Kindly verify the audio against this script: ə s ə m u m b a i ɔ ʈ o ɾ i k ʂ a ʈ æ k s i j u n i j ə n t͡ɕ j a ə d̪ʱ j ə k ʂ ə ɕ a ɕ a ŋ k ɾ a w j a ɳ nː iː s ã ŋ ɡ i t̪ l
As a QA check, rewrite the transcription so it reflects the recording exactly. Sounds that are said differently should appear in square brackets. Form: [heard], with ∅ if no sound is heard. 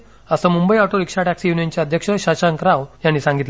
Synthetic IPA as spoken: ə s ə m u m b [ə] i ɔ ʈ o ɾ i k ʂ a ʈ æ k s i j u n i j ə n t͡ɕ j a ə d̪ʱ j ə k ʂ ə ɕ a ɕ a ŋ k ɾ a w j a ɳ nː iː s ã ŋ ɡ i t̪ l